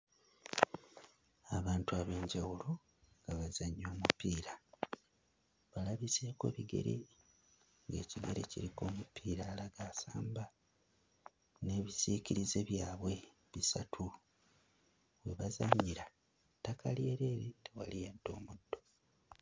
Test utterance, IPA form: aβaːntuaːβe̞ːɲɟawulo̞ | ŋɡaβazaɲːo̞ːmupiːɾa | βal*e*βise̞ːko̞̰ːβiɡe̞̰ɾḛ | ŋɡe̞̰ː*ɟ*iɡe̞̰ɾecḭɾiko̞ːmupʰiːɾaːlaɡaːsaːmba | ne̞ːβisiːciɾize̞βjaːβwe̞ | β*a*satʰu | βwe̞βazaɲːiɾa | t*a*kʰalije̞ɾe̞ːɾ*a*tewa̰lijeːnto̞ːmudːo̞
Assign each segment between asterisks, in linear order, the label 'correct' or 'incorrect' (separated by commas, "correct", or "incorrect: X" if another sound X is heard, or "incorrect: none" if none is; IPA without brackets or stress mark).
incorrect: a, incorrect: c, incorrect: i, correct, incorrect: i